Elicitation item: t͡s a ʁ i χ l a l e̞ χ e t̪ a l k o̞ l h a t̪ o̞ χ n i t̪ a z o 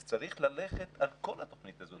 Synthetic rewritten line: t͡s a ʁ i χ l a l e̞ χ e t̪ a l k o̞ l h a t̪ o̞ χ n i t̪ a z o